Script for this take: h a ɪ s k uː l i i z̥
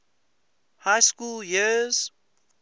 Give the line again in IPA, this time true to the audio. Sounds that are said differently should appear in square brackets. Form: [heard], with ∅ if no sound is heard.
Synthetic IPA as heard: h a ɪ s k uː l [j] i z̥